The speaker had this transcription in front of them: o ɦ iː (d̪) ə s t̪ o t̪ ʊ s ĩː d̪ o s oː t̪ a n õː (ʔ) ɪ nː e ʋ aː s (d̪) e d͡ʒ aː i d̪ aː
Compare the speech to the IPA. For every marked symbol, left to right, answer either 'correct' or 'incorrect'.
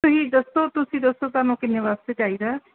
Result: correct, incorrect, incorrect

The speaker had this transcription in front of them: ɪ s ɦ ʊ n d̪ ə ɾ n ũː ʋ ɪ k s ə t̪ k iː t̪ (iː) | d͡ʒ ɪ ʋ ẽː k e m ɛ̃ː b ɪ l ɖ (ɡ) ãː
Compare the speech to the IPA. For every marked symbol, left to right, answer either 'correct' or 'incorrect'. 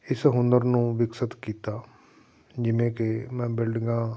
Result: incorrect, correct

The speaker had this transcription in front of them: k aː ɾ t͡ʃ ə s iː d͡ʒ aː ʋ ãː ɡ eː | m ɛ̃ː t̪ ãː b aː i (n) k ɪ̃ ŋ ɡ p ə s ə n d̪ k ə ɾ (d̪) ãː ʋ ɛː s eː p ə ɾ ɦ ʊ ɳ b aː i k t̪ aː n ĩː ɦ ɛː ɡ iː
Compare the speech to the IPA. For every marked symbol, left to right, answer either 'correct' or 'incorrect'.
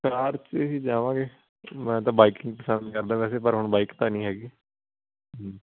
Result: incorrect, correct

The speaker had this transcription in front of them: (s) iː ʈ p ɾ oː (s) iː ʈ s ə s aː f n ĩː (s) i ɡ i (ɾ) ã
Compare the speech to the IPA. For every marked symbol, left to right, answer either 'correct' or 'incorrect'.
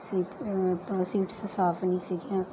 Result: correct, correct, correct, incorrect

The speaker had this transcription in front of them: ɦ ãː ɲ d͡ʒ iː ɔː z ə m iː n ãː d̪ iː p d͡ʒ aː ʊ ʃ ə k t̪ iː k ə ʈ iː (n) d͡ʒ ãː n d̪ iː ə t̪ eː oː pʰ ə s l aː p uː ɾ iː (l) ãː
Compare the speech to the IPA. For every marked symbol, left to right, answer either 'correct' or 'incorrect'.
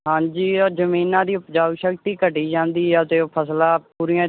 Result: incorrect, incorrect

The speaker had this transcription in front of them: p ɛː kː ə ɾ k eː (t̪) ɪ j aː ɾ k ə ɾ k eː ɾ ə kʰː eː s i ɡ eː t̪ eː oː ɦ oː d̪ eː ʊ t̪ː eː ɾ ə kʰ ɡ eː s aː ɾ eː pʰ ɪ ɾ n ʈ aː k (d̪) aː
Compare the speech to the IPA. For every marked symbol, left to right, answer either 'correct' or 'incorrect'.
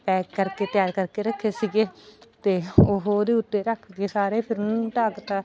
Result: correct, incorrect

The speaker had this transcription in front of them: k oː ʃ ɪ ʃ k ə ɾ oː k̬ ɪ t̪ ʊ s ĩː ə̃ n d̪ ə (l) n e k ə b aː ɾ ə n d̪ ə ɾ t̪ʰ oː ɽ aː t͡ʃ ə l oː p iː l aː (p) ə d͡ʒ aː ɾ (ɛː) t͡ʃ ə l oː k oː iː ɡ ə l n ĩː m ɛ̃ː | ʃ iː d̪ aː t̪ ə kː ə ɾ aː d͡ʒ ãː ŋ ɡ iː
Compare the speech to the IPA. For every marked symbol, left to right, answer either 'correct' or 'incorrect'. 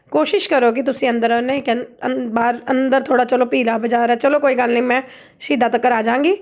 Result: incorrect, incorrect, correct

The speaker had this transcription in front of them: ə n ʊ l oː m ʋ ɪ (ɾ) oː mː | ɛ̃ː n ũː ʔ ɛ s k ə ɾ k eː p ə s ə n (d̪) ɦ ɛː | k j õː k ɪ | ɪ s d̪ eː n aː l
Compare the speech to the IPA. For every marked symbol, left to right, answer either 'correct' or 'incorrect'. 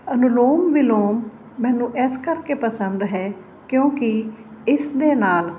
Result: incorrect, correct

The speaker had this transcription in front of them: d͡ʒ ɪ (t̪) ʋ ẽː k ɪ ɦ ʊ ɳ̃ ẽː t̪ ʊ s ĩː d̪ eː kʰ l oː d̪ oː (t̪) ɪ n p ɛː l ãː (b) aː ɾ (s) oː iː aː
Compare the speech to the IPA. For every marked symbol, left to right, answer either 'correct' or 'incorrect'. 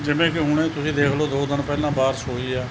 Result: incorrect, incorrect, correct, correct

